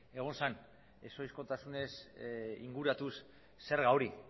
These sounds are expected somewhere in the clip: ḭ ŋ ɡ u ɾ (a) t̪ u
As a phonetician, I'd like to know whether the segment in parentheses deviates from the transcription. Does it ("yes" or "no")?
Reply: no